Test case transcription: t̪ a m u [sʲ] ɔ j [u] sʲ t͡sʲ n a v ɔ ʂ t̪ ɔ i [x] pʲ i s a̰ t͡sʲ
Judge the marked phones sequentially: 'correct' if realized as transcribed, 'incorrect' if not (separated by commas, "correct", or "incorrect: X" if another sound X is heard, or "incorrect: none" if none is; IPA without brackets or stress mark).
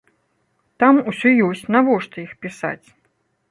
correct, incorrect: ɔ, correct